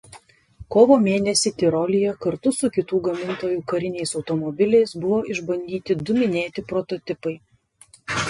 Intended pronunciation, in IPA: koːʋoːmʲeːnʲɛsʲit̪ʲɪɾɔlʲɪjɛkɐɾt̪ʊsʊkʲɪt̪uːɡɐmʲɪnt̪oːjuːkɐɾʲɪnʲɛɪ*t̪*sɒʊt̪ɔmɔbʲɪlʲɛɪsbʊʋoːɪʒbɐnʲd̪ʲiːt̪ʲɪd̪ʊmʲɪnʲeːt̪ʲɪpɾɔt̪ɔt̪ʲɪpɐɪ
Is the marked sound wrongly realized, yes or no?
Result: yes